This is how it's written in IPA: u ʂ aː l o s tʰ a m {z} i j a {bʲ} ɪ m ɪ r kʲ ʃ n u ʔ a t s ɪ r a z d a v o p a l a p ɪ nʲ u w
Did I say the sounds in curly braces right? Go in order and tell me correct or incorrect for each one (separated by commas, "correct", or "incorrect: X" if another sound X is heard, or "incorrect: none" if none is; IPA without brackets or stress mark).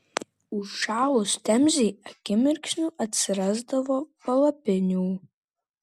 correct, incorrect: ɡʲ